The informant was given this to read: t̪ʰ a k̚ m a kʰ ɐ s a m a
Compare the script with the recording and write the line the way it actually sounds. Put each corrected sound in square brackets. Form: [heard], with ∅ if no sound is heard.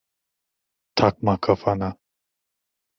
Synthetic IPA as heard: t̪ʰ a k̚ m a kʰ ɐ [f] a [n] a